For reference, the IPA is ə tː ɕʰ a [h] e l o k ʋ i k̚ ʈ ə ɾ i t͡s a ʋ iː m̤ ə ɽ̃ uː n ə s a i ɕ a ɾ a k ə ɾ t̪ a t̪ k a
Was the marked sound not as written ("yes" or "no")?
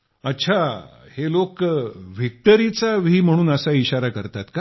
no